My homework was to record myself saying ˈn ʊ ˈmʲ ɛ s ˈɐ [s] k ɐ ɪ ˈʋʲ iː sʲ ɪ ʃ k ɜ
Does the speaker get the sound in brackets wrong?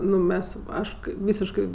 yes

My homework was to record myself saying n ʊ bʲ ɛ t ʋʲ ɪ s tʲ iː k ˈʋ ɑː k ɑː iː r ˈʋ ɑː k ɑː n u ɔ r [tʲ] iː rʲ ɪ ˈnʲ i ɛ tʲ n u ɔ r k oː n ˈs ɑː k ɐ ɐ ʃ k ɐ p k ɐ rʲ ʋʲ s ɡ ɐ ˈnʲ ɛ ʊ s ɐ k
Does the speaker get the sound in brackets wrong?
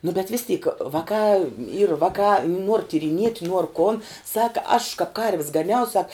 no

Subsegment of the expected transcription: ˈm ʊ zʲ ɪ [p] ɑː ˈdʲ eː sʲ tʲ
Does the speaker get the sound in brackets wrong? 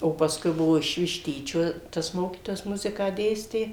yes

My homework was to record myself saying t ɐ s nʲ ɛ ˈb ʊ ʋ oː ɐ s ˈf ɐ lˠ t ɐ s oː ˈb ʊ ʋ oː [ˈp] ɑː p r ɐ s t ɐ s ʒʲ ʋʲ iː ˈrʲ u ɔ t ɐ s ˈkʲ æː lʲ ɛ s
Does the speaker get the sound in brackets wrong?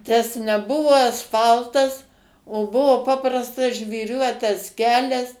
no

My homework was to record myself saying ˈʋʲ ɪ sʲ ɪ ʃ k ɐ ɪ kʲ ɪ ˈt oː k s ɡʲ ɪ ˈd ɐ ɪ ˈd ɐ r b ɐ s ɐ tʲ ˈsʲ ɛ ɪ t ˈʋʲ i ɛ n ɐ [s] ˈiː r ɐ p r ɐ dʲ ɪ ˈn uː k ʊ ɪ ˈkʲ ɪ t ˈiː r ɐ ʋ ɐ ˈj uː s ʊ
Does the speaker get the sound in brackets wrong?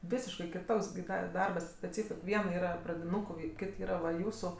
yes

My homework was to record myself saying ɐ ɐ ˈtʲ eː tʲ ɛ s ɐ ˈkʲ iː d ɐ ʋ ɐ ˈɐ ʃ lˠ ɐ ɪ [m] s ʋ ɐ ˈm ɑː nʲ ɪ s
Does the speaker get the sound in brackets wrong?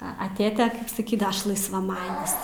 yes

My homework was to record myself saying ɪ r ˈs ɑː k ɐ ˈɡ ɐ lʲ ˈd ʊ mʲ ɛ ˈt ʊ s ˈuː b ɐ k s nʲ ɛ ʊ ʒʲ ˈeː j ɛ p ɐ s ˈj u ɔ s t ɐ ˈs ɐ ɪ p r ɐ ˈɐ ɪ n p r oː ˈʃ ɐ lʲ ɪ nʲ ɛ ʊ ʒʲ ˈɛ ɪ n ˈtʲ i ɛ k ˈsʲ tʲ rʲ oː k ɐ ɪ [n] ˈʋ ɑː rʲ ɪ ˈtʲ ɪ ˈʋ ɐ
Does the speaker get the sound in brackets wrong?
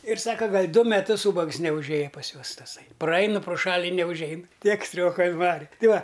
no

